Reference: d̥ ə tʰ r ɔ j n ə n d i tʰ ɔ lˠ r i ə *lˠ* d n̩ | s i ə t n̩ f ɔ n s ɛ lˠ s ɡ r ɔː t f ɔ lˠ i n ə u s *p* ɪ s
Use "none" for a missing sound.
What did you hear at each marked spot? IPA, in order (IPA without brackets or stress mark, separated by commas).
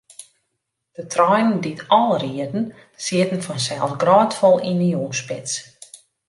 none, p